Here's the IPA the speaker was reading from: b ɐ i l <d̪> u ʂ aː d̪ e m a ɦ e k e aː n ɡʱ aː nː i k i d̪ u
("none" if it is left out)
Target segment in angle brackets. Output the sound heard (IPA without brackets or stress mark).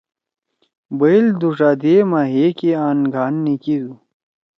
d̪